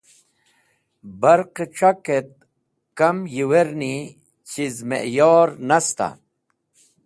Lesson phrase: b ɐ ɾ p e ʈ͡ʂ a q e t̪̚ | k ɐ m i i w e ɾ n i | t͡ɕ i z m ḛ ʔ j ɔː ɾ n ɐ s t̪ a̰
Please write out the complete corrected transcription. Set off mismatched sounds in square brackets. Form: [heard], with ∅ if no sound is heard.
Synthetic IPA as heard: b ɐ ɾ [q] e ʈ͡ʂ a [k] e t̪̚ | k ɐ m [j] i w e ɾ n i | t͡ɕ i z m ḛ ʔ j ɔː ɾ n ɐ s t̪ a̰